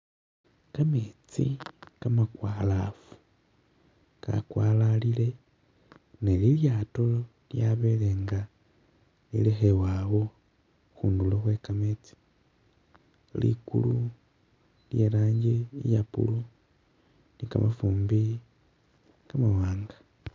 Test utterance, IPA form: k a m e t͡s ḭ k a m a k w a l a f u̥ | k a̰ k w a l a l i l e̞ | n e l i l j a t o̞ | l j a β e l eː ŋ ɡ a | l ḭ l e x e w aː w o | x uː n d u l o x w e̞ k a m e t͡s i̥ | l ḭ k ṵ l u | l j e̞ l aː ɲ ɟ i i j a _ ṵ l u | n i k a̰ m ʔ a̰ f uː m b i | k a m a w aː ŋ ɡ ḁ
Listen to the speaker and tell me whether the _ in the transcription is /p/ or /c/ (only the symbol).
p